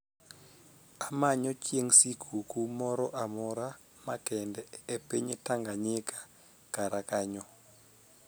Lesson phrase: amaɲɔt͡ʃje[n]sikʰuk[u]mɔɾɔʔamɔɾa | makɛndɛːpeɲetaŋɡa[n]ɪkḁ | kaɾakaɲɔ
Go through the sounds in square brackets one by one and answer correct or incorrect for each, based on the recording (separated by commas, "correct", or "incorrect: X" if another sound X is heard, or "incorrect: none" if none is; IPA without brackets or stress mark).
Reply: incorrect: ŋ, correct, incorrect: ɲ